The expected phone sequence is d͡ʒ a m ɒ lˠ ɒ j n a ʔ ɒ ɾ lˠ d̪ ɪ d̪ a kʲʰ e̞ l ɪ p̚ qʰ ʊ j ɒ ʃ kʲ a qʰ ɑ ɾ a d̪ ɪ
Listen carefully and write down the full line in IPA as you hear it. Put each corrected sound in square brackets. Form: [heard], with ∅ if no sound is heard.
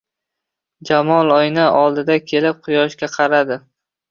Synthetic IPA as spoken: d͡ʒ a m ɒ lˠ ɒ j n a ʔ ɒ [∅] lˠ d̪ ɪ d̪ a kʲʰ e̞ l ɪ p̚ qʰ ʊ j ɒ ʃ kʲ a qʰ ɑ ɾ a d̪ ɪ

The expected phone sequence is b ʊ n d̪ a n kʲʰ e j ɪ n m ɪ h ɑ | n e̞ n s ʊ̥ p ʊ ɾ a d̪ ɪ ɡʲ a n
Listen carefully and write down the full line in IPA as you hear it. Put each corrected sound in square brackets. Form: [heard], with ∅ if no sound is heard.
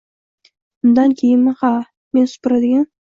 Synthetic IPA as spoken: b ʊ n d̪ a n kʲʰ e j ɪ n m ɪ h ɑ | [m] e̞ n s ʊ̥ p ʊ ɾ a d̪ ɪ ɡʲ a n

